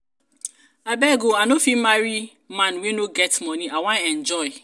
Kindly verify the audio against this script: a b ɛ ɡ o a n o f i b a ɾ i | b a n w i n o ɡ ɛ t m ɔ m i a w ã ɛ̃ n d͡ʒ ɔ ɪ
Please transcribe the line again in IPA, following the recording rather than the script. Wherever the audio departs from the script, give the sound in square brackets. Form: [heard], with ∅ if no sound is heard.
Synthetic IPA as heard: a b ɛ ɡ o a n o f i [m] a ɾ i | [m] a n w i n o ɡ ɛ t m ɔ [n] i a w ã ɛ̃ n d͡ʒ ɔ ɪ